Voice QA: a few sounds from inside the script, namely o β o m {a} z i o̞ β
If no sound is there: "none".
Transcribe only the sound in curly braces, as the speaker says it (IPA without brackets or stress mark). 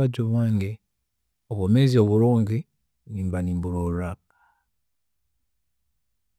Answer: e